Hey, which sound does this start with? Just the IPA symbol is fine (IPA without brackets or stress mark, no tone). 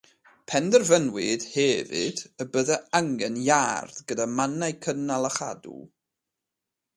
pʰ